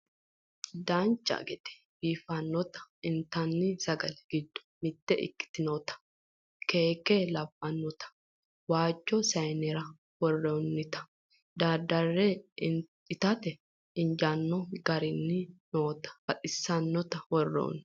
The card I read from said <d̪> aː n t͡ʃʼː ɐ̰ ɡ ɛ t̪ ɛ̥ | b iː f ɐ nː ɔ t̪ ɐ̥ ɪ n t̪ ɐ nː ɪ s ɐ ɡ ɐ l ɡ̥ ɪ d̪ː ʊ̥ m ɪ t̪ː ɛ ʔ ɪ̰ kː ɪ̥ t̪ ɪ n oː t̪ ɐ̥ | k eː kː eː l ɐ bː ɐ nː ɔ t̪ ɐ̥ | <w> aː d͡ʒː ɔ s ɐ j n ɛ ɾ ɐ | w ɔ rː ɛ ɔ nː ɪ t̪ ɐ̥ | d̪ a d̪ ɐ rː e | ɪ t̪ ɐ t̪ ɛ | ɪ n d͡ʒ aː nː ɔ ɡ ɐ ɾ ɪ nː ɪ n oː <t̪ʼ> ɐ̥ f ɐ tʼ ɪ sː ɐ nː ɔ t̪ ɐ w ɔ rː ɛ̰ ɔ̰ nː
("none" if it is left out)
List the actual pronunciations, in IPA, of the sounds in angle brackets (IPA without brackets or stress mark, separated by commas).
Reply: d̪, w, t̪